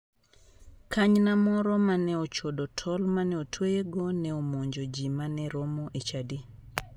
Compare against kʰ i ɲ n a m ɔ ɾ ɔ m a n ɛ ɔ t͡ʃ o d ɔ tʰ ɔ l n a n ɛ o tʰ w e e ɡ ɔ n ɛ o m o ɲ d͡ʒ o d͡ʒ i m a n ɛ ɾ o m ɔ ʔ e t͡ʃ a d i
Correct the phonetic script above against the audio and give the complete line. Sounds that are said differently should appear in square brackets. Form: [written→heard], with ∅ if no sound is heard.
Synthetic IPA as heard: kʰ [i→a] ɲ n a m ɔ ɾ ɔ m a n ɛ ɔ t͡ʃ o d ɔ tʰ ɔ l [n→m] a n ɛ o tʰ w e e ɡ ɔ n ɛ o m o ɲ d͡ʒ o d͡ʒ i m a n ɛ ɾ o m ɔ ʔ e t͡ʃ a d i